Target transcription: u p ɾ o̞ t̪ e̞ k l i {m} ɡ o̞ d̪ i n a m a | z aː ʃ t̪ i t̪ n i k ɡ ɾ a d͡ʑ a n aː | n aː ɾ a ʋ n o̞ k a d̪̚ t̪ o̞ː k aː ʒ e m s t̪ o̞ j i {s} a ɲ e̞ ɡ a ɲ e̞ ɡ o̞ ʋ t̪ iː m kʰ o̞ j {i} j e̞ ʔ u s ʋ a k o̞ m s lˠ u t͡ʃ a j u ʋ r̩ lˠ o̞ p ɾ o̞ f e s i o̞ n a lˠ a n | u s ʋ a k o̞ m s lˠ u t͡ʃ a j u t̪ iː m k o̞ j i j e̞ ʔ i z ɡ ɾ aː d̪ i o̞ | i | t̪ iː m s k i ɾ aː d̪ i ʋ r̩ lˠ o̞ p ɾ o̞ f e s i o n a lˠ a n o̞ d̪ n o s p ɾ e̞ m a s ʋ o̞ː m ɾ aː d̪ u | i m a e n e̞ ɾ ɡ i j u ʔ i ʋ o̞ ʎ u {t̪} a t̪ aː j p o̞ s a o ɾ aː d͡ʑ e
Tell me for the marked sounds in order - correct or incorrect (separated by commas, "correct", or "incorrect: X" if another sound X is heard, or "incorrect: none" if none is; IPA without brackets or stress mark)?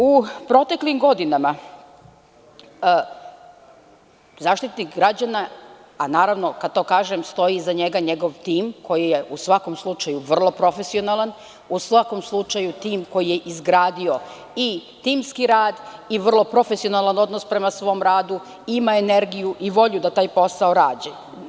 correct, incorrect: z, correct, incorrect: d̪